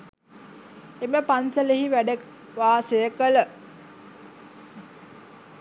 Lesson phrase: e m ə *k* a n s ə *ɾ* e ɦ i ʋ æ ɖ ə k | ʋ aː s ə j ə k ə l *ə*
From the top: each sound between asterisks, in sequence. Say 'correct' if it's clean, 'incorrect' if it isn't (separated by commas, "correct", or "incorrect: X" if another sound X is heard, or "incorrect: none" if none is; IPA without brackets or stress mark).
incorrect: p, incorrect: l, correct